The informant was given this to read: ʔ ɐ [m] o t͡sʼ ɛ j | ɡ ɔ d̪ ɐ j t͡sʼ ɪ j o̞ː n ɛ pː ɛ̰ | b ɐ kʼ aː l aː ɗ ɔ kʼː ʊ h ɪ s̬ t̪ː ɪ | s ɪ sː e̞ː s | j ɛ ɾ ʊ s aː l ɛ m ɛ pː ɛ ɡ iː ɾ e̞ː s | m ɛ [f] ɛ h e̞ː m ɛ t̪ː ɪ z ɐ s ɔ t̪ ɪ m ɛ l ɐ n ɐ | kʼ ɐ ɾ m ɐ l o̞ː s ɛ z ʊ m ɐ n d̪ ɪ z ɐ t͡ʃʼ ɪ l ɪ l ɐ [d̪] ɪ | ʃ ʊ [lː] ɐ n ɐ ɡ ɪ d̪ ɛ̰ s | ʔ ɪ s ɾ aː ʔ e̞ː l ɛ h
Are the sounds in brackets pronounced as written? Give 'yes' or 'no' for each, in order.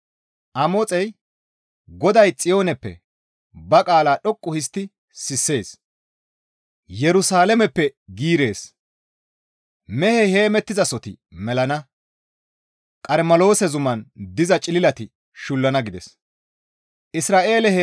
yes, no, no, yes

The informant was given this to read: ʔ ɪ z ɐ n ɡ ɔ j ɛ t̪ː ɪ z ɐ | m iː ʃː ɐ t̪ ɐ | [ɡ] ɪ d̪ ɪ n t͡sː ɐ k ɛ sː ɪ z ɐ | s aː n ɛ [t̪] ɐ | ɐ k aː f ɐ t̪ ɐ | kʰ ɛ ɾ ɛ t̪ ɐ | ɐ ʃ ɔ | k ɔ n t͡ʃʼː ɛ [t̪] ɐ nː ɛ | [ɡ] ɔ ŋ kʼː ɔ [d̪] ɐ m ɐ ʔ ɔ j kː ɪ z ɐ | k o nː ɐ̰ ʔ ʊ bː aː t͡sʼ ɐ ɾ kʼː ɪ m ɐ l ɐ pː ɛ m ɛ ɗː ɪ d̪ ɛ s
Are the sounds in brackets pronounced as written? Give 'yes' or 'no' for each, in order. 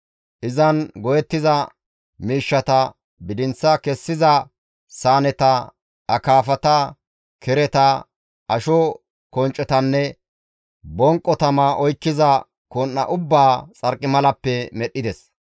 no, yes, yes, no, no

